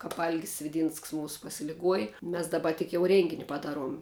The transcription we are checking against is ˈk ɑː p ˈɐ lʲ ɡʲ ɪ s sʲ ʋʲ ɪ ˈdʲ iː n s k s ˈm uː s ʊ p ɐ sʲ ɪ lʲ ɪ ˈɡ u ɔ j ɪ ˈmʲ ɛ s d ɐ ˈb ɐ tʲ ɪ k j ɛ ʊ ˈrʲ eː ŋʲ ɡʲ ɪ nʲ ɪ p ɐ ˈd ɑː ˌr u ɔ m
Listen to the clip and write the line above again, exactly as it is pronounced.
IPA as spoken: ˈk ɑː p ˈɐ lʲ ɡʲ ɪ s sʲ ʋʲ ɪ ˈdʲ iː n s k s ˈm uː s ʊ p ɐ sʲ ɪ lʲ ɪ ˈɡ u ɔ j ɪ ˈmʲ ɛ s d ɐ ˈb ɐ tʲ ɪ k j ɛ ʊ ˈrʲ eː ŋʲ ɡʲ ɪ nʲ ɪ p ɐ ˈd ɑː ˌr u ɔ m